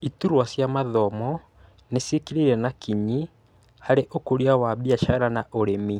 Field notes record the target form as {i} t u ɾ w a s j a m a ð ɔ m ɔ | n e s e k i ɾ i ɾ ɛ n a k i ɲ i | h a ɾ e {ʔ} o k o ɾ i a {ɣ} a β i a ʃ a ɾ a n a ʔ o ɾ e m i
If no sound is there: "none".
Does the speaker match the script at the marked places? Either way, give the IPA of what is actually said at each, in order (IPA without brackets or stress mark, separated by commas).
i, ʔ, w